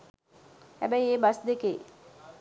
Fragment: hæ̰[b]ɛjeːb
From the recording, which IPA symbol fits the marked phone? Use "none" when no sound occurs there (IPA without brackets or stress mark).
b